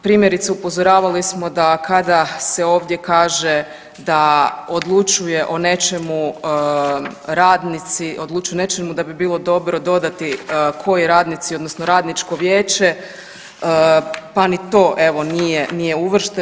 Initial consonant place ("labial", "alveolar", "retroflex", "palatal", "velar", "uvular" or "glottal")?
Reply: labial